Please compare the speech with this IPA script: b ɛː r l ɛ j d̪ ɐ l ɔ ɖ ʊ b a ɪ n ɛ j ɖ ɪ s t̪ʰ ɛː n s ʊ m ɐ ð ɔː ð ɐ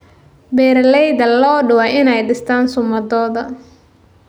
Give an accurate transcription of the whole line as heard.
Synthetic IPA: b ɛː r l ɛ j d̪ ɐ l ɔː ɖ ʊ w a ɪ n ɛ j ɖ ɪ s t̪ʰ aː n s ʊ m ɐ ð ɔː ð ɐ